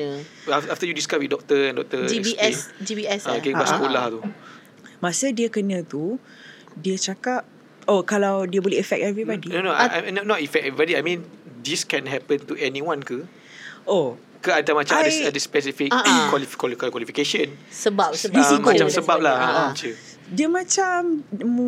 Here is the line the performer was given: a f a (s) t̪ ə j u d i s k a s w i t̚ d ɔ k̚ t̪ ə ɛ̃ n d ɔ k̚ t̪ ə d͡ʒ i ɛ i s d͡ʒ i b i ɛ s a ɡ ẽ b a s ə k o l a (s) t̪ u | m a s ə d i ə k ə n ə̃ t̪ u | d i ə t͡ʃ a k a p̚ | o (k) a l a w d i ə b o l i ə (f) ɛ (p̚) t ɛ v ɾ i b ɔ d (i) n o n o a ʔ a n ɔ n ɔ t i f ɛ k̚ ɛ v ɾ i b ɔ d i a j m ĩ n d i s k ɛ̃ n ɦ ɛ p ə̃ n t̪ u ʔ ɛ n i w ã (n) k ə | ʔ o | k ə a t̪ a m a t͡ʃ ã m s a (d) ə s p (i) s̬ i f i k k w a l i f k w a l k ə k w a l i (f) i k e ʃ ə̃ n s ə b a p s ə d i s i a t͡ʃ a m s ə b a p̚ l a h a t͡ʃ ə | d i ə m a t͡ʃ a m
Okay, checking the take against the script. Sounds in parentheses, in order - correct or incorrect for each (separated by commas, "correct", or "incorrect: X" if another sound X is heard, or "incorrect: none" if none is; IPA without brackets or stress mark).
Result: incorrect: f, incorrect: h, correct, correct, incorrect: k̚, correct, correct, correct, incorrect: ɛ, correct